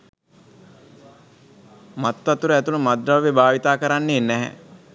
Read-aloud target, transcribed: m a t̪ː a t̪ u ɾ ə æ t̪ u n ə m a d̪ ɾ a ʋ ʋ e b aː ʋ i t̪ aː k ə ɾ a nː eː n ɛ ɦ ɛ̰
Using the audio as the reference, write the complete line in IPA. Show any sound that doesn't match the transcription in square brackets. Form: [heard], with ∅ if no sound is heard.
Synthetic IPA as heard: m a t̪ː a t̪ u ɾ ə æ t̪ u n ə m a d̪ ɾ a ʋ ʋ e b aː ʋ i t̪ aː k ə ɾ a nː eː n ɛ ɦ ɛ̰